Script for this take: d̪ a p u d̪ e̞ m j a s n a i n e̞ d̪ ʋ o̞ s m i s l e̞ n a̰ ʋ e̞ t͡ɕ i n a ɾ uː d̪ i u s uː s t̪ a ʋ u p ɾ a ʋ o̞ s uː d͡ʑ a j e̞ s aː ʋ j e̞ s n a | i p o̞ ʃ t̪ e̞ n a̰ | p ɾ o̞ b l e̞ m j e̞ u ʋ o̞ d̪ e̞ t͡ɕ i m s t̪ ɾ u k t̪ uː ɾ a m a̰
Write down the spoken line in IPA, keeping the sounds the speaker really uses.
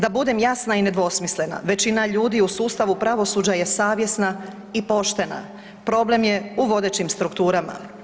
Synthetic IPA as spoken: d̪ a b u d̪ e̞ m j a s n a i n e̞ d̪ ʋ o̞ s m i s l e̞ n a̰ ʋ e̞ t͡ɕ i n a ʎ uː d̪ i u s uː s t̪ a ʋ u p ɾ a ʋ o̞ s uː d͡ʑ a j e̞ s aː ʋ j e̞ s n a | i p o̞ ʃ t̪ e̞ n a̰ | p ɾ o̞ b l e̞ m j e̞ u ʋ o̞ d̪ e̞ t͡ɕ i m s t̪ ɾ u k t̪ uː ɾ a m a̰